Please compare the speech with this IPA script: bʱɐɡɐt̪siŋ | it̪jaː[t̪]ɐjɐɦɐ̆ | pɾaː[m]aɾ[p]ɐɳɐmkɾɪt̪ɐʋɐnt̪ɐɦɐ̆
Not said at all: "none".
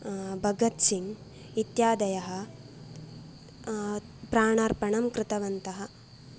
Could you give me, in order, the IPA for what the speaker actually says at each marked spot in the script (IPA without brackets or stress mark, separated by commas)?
d̪, ɳ, p